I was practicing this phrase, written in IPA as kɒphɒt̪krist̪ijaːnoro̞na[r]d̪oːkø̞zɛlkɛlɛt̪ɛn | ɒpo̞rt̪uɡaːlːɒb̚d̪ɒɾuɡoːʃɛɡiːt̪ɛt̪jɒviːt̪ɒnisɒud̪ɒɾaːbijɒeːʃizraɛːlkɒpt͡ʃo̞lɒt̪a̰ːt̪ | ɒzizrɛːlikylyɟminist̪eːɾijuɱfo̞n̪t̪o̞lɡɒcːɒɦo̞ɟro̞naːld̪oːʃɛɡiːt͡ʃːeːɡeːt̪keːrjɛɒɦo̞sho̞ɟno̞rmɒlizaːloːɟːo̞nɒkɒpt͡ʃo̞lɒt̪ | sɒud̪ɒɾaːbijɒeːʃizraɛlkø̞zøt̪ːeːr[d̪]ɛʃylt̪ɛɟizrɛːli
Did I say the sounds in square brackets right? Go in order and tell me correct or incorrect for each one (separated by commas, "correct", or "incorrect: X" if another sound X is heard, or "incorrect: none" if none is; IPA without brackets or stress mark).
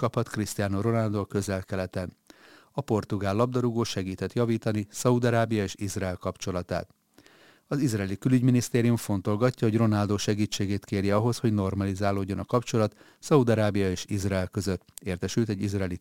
incorrect: l, incorrect: t̪